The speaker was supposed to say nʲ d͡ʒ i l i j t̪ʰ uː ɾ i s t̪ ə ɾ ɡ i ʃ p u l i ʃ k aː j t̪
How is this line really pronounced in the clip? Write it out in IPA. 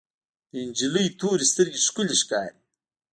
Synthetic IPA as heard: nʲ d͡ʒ i l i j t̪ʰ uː ɾ i s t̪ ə ɾ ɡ i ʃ k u l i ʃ k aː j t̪